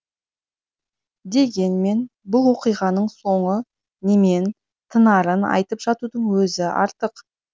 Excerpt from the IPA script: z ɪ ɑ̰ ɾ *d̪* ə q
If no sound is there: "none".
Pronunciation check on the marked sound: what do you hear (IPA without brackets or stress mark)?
t̪